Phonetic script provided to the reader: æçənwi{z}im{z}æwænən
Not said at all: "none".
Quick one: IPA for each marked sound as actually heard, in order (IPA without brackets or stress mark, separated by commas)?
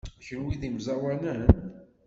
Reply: ð, z